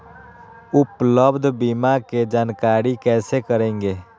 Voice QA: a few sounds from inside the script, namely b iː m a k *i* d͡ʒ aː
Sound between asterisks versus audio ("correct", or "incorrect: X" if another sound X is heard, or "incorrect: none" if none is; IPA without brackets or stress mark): incorrect: e